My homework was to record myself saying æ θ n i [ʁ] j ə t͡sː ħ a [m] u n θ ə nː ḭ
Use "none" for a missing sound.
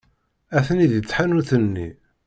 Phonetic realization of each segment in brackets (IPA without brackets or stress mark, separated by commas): ð, n